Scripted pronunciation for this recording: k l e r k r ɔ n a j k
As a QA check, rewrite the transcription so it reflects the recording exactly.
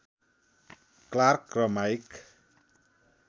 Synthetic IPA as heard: k l a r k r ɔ m a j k